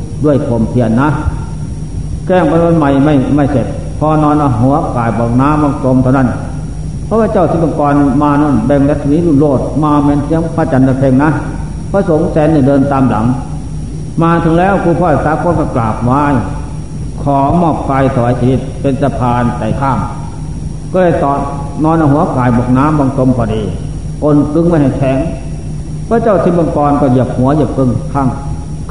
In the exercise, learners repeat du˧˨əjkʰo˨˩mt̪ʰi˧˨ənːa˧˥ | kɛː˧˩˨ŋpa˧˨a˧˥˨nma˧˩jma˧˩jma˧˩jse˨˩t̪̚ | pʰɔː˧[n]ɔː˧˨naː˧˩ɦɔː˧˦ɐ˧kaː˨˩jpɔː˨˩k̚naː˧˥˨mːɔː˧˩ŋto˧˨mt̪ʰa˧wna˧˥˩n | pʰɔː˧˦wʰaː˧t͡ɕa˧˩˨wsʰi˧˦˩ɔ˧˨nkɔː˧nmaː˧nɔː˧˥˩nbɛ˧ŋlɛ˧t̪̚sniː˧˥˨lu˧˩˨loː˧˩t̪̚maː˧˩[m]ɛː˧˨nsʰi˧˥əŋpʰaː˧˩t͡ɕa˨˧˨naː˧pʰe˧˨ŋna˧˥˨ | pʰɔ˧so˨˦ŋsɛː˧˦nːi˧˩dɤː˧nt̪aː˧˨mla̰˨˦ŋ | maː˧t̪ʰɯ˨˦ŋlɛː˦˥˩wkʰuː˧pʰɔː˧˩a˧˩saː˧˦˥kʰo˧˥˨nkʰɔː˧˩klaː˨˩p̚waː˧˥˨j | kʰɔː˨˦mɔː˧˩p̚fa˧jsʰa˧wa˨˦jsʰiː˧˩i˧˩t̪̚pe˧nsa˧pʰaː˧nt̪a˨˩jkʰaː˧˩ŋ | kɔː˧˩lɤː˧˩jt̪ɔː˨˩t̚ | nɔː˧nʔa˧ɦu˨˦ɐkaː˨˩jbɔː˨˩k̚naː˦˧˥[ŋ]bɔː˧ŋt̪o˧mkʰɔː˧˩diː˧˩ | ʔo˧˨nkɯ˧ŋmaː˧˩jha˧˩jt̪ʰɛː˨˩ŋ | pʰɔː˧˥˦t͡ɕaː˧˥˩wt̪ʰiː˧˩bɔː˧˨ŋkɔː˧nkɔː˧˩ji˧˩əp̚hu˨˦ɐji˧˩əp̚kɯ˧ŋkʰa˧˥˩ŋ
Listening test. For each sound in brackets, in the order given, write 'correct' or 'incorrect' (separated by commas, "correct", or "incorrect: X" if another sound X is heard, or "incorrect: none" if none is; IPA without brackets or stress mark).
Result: correct, correct, incorrect: m